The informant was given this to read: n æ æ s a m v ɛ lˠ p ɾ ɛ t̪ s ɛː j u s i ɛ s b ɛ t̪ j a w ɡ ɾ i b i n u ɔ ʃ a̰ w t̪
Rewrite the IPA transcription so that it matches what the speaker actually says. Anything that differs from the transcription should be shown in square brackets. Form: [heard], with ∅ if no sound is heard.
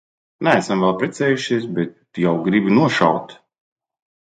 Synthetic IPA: n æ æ s a m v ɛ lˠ p ɾ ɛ t̪ s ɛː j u [ʃ] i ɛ s b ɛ t̪ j a w ɡ ɾ i b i n u ɔ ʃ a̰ w t̪